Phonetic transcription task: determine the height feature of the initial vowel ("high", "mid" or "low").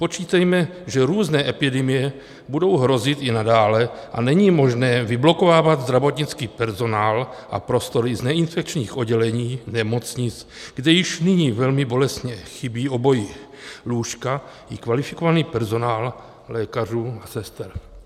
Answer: mid